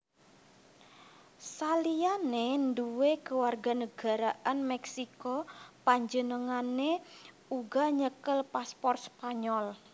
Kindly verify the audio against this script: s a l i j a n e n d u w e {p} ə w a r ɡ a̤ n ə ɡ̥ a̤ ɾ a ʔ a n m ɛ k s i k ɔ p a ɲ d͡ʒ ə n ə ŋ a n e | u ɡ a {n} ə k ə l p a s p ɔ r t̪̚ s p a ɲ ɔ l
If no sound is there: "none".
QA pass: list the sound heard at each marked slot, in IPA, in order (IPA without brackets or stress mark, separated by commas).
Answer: k, ɲ